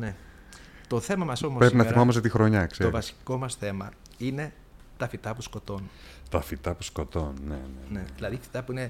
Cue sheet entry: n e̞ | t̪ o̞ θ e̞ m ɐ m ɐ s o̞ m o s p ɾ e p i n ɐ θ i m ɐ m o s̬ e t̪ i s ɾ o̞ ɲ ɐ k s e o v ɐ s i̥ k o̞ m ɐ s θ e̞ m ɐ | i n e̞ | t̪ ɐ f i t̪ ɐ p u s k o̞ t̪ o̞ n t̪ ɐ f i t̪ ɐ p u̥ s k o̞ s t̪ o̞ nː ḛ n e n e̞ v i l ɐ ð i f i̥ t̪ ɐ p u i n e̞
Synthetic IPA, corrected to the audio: n e̞ | t̪ o̞ θ e̞ m ɐ m ɐ s o̞ m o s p ɾ e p i n ɐ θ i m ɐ m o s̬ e t̪ i x ɾ o̞ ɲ ɐ k s e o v ɐ s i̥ k o̞ m ɐ s θ e̞ m ɐ | i n e̞ | t̪ ɐ f i t̪ ɐ p u s k o̞ t̪ o̞ n t̪ ɐ f i t̪ ɐ p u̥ s k o̞ t̪ o̞ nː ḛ n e n e̞ ð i l ɐ ð i f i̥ t̪ ɐ p u i n e̞